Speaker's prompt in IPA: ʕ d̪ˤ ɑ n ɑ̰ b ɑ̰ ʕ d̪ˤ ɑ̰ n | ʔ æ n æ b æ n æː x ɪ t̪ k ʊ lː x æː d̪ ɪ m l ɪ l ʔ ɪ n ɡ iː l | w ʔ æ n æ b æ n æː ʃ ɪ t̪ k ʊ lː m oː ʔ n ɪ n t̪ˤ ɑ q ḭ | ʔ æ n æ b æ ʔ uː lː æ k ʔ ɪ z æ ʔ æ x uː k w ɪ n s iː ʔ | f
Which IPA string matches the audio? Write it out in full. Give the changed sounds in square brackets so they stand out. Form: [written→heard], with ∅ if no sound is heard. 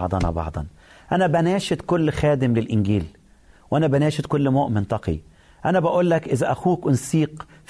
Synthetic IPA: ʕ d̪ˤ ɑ n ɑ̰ b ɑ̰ ʕ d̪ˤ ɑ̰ n | ʔ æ n æ b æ n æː [x→ʃ] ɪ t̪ k ʊ lː x æː d̪ ɪ m l ɪ l ʔ ɪ n ɡ iː l | w ʔ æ n æ b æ n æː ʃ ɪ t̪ k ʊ lː m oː ʔ [n→m] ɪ n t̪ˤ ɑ q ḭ | ʔ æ n æ b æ ʔ uː lː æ k ʔ ɪ z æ ʔ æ x uː k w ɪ n s iː [ʔ→q] | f